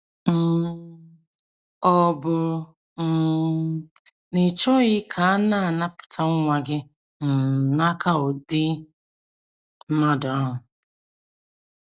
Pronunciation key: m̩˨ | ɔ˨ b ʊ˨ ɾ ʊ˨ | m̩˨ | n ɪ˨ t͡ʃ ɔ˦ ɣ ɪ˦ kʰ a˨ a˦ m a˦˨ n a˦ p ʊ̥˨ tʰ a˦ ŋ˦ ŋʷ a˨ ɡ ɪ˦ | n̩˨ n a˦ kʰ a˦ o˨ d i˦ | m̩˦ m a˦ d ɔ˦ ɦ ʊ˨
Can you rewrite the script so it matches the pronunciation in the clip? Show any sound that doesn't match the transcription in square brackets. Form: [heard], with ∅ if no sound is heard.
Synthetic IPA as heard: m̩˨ | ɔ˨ b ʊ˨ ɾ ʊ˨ | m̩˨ | n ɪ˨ t͡ʃ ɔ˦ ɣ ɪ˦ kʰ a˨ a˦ [n] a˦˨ n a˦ p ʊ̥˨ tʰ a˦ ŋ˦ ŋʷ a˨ ɡ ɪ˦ | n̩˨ n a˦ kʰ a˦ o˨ d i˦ | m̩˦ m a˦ d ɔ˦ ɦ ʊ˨